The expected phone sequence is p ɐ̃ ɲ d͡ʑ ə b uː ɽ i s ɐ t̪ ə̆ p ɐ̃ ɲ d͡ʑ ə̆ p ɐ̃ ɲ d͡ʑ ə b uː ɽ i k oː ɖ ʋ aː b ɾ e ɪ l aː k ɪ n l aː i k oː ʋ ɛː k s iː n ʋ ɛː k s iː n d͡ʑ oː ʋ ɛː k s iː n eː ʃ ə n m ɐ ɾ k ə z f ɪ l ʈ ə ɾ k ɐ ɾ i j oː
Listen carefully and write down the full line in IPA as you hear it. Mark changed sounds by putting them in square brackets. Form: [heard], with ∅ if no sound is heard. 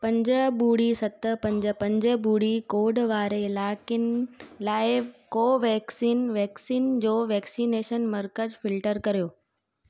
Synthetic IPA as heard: p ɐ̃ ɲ d͡ʑ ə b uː ɽ i s ɐ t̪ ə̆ p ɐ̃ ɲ d͡ʑ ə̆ p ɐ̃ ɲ d͡ʑ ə b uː ɽ i k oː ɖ ʋ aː [∅] ɾ e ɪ l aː k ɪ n l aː [ɪ] k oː ʋ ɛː k s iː n ʋ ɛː k s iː n d͡ʑ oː ʋ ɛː k s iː n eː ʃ ə n m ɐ ɾ k ə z f ɪ l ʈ ə ɾ k ɐ ɾ i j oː